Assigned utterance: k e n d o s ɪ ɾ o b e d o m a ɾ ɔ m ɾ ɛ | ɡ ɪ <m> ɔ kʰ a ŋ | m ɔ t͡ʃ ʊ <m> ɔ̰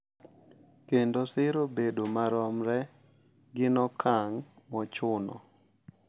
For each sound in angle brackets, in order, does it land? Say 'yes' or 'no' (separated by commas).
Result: no, no